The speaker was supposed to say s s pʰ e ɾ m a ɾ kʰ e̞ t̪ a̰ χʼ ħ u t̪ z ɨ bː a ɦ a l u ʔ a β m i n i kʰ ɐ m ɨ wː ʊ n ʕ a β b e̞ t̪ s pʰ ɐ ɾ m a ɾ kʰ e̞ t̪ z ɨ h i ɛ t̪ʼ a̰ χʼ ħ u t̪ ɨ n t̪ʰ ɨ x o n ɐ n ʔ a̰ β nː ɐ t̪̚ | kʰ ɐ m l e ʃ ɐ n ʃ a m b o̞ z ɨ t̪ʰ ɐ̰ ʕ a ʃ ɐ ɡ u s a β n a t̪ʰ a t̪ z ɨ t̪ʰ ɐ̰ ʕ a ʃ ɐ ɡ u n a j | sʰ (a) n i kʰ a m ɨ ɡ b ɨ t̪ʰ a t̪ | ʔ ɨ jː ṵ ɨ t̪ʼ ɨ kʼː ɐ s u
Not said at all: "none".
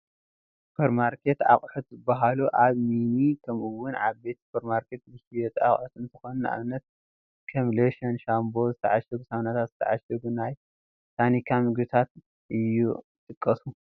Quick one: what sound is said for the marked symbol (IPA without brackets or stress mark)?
a